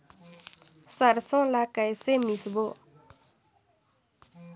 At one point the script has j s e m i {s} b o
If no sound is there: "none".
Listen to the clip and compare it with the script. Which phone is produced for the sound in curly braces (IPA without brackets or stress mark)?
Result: s